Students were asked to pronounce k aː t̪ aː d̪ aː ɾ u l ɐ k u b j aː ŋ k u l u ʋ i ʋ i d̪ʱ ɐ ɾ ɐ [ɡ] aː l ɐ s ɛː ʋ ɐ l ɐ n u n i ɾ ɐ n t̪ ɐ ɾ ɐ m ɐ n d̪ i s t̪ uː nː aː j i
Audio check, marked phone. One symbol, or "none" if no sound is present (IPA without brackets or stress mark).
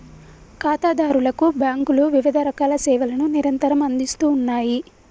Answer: k